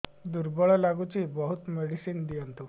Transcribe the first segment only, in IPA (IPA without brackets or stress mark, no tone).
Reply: d̪